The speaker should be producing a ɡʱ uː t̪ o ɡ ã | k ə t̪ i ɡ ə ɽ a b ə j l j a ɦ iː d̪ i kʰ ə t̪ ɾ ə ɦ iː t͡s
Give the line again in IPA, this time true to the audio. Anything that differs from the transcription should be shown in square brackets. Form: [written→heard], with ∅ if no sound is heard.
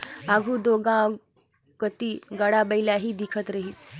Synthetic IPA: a ɡʱ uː [t̪→d̪] o ɡ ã | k ə t̪ i ɡ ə ɽ a b ə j l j a ɦ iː d̪ i kʰ ə t̪ ɾ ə ɦ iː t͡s